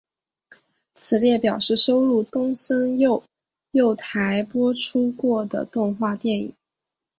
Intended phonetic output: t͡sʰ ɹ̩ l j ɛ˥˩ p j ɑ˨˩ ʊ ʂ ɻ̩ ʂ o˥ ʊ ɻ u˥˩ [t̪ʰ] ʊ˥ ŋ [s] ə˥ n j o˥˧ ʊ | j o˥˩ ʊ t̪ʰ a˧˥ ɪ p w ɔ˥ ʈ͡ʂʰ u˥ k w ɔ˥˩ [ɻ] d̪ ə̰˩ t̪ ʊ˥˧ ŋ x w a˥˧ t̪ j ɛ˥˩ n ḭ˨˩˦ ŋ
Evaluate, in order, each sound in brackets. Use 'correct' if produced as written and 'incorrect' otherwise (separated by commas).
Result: incorrect, correct, incorrect